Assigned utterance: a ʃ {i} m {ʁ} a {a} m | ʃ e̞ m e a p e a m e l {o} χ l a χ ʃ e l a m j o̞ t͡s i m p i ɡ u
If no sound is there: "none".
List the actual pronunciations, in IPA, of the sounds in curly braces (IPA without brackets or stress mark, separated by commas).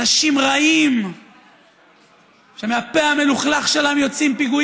i, ʁ, i, u